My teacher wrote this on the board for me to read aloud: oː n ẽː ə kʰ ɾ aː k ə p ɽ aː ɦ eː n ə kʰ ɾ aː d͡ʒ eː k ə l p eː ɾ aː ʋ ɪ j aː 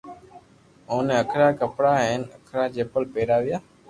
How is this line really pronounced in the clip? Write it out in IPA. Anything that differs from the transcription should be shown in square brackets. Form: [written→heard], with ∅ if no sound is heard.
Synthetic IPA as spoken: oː n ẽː ə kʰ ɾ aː k ə p ɽ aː ɦ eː n ə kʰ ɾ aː d͡ʒ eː [k→p] ə l p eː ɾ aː ʋ ɪ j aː